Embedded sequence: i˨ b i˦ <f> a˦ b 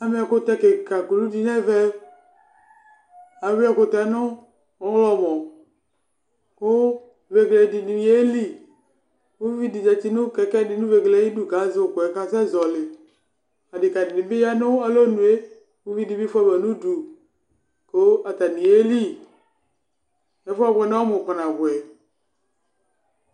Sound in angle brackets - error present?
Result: no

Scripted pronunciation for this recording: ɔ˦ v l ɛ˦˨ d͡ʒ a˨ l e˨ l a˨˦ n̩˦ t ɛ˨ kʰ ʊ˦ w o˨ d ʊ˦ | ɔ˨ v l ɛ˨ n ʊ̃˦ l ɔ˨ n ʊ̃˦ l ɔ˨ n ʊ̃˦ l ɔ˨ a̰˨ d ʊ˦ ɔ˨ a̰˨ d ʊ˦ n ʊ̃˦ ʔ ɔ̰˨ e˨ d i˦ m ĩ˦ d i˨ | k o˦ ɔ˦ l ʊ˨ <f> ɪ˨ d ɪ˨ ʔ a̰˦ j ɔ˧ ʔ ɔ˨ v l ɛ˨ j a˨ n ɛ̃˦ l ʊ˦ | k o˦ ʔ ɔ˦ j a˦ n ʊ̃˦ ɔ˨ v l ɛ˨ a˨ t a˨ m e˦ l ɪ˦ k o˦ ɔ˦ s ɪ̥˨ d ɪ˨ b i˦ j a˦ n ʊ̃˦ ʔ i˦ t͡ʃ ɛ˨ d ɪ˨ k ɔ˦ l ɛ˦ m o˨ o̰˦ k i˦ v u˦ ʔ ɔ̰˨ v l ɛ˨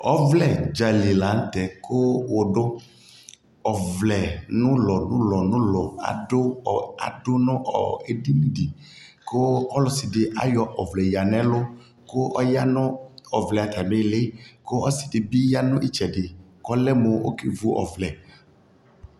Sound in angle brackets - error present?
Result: yes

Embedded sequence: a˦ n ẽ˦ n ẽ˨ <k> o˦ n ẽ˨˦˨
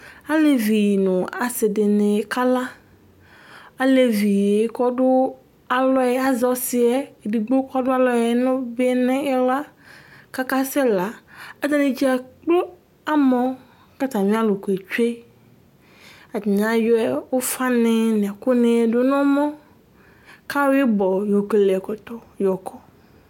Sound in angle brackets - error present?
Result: no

